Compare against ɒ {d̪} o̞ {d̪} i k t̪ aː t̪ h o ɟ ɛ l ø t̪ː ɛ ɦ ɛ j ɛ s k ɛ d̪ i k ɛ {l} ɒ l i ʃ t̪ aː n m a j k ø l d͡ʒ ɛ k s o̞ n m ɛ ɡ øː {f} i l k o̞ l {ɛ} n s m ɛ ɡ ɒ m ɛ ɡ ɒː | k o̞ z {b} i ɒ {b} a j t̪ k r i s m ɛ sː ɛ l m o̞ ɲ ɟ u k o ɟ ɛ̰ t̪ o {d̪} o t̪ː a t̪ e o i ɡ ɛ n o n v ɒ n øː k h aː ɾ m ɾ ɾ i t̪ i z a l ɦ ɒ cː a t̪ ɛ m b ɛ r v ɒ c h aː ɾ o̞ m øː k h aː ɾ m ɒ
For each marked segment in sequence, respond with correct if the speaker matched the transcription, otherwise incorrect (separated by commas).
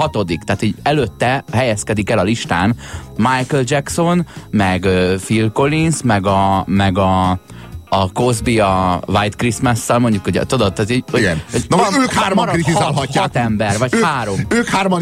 incorrect, correct, correct, correct, incorrect, correct, incorrect, correct